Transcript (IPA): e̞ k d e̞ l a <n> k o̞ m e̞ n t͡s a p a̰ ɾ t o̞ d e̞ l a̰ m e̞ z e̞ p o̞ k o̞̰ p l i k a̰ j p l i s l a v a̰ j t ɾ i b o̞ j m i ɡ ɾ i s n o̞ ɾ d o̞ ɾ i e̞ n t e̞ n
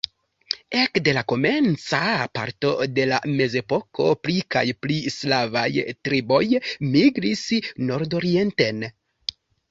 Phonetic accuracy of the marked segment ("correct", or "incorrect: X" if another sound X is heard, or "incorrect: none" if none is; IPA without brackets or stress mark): incorrect: none